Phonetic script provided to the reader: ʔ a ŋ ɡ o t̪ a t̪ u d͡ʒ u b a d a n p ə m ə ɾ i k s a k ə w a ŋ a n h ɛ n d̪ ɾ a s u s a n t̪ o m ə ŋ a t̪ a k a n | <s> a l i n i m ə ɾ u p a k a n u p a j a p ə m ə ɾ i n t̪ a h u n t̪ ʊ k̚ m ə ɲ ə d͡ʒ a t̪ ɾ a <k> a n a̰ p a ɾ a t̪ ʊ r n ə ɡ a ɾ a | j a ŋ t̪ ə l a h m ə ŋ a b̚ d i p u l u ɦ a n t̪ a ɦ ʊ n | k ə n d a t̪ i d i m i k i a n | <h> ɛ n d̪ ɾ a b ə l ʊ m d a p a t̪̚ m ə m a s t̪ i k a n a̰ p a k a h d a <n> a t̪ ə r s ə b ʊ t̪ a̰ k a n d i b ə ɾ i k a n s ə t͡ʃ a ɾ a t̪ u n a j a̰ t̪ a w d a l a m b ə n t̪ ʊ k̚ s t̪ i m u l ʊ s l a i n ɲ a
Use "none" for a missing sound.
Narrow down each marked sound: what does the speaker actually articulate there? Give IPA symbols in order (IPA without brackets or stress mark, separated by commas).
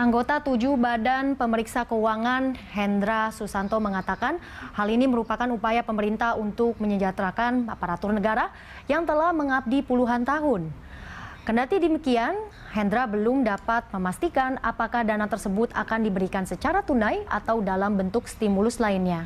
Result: h, k, h, n